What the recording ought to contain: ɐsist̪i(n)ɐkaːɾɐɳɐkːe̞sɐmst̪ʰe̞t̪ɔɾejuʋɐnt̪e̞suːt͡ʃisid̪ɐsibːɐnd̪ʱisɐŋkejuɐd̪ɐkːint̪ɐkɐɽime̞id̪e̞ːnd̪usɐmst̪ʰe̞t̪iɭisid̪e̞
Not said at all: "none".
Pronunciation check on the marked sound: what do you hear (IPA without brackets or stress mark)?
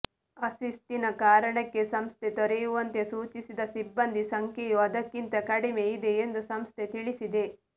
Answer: n